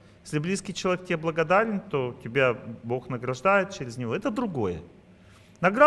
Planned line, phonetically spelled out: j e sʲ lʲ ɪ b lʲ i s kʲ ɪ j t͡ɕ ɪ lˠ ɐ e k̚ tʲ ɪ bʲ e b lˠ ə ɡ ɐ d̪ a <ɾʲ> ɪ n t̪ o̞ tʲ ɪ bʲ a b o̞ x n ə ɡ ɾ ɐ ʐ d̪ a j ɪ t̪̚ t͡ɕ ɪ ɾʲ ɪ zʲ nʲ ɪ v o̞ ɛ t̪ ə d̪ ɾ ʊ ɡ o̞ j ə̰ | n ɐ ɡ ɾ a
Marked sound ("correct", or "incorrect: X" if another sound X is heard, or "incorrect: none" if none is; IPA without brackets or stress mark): correct